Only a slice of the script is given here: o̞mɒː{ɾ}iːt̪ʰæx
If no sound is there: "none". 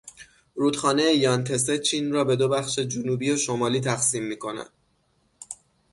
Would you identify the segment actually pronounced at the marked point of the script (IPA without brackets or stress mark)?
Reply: l